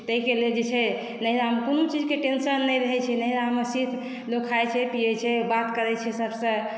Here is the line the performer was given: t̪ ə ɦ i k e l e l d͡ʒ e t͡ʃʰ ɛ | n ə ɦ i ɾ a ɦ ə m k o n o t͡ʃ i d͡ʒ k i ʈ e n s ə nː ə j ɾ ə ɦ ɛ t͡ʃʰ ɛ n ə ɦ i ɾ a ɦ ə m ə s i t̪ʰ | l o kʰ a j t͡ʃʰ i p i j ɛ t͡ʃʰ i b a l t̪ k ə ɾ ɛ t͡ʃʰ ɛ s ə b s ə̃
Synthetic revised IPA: t̪ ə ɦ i k e l e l d͡ʒ e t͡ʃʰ ɛ | n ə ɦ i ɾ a ɦ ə m k o n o t͡ʃ i d͡ʒ k e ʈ e n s ə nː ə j ɾ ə ɦ ɛ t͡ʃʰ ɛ n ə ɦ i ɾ a ɦ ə m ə s i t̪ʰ | l o kʰ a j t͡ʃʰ ɛ p i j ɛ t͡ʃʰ ɛ b a t̪ k ə ɾ ɛ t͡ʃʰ ɛ s ə b s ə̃